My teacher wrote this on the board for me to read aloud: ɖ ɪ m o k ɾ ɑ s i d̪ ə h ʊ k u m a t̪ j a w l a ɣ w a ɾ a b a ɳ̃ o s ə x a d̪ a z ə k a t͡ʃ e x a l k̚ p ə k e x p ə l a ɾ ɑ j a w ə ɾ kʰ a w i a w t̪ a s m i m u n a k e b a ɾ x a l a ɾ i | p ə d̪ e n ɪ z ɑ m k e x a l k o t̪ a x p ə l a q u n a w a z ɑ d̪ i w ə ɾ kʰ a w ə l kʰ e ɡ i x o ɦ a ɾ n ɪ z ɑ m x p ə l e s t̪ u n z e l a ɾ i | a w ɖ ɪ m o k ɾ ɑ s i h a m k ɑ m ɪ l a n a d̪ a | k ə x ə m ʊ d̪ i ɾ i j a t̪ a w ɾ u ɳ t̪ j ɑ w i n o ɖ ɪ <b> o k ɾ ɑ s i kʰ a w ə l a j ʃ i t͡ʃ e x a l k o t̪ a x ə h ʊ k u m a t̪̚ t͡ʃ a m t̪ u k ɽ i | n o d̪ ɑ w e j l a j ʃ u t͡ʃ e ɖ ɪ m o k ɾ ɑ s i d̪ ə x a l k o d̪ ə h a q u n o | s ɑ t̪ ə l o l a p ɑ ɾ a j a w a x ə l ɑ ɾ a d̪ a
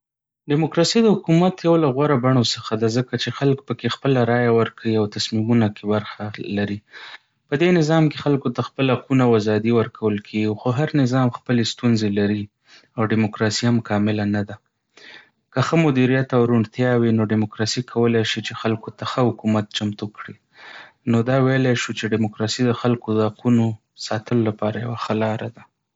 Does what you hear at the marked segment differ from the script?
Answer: yes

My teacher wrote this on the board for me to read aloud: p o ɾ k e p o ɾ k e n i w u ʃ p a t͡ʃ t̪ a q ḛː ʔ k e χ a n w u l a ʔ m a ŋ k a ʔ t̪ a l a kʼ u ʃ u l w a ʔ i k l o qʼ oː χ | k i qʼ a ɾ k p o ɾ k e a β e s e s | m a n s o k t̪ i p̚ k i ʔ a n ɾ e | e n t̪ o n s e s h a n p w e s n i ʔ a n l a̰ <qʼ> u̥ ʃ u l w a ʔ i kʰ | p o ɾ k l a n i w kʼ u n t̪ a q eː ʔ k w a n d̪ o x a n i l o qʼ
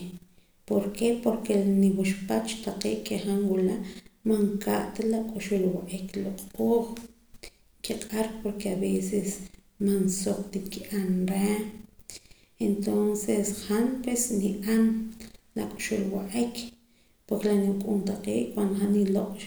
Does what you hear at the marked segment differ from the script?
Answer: yes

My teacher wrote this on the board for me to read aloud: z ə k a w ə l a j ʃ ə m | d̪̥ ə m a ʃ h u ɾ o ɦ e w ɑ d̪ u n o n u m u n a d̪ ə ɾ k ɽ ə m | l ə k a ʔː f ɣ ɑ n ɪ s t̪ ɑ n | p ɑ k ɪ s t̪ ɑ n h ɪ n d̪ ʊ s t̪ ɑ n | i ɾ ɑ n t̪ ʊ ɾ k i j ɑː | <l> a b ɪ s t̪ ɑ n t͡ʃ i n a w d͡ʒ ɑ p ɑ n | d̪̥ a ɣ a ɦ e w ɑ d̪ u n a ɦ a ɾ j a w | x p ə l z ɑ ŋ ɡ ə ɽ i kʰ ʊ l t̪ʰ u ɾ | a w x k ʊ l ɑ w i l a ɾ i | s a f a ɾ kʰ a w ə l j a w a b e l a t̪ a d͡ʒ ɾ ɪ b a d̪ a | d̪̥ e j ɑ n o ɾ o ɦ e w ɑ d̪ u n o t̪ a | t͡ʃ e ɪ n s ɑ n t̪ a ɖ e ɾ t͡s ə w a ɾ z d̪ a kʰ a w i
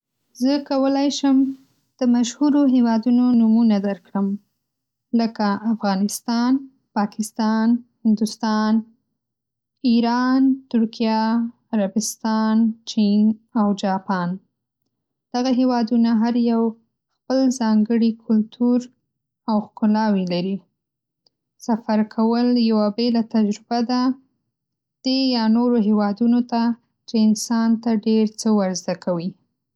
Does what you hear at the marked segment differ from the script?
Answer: yes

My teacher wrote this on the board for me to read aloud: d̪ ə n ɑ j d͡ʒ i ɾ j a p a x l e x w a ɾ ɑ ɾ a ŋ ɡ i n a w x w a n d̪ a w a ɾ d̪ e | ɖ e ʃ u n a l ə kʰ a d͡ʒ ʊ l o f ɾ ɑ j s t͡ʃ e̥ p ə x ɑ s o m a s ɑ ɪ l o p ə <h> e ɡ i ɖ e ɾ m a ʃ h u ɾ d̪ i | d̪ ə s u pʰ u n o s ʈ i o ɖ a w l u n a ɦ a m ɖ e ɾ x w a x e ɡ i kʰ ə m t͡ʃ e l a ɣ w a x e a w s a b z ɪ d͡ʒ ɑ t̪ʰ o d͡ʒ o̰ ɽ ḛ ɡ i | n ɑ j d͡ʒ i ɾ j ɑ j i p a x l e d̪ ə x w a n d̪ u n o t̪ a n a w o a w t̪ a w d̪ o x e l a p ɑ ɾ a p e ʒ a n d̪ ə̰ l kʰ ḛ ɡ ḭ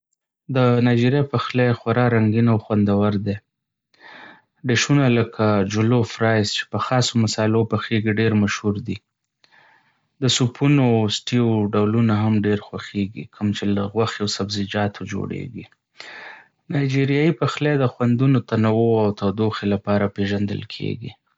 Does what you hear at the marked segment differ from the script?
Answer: yes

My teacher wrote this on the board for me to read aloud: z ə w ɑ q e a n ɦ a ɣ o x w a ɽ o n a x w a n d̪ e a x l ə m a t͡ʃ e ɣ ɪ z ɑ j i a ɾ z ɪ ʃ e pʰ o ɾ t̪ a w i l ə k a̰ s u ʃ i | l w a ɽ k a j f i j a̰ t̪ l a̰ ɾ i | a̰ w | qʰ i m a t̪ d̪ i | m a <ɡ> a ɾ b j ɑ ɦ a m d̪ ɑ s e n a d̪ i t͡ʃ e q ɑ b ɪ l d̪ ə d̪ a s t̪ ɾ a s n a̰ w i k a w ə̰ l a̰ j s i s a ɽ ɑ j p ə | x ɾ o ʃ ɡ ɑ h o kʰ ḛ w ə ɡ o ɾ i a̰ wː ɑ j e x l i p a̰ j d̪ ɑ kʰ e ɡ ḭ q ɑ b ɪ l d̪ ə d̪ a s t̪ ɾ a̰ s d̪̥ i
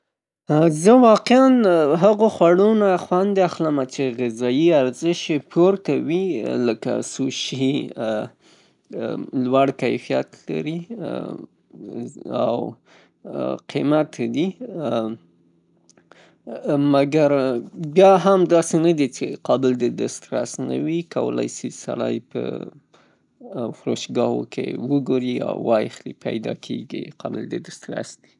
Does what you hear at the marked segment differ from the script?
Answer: no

